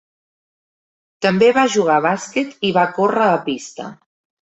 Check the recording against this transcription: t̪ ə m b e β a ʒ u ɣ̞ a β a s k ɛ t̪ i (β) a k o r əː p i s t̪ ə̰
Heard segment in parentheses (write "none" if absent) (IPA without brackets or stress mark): β